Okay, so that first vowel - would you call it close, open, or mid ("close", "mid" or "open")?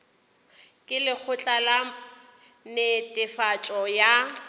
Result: close